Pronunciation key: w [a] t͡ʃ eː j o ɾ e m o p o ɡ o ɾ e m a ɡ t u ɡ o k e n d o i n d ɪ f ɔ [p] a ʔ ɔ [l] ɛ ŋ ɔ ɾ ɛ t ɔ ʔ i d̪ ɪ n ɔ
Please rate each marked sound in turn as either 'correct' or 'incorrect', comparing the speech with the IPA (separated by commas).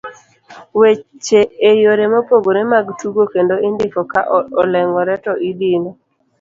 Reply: incorrect, incorrect, correct